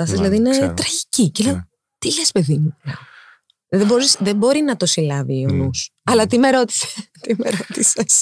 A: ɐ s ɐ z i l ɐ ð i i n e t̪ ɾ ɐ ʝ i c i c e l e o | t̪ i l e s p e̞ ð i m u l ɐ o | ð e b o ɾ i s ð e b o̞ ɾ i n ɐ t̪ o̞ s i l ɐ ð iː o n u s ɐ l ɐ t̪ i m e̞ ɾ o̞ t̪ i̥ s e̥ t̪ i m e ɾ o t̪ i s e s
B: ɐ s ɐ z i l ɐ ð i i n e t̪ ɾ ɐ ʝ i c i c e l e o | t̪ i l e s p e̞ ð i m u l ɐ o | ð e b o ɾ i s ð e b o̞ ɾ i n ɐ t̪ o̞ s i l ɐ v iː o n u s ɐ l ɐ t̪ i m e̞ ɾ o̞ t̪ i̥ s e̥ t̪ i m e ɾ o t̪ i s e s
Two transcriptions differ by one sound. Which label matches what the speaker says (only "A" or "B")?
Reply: B